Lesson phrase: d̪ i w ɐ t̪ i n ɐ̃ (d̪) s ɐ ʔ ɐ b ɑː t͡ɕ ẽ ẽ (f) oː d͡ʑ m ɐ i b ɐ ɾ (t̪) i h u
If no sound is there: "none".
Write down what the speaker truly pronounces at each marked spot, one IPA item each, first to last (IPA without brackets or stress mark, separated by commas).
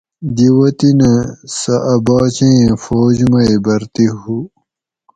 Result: none, f, t̪